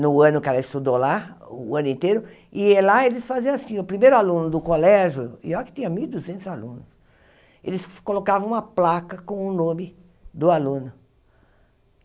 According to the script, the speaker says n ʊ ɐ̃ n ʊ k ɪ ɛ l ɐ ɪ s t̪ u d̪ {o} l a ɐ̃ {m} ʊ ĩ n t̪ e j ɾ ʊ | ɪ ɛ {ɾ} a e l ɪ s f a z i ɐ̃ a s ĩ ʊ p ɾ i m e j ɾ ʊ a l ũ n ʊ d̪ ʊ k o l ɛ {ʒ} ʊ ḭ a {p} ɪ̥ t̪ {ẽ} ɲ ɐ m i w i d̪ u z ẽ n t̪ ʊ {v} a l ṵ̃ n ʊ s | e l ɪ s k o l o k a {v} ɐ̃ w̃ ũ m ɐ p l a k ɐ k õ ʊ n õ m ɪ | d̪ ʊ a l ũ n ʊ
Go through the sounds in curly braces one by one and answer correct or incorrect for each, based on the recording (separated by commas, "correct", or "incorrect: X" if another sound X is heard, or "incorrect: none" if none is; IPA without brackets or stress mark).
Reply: correct, incorrect: n, incorrect: l, correct, incorrect: k, incorrect: ĩ, incorrect: z, correct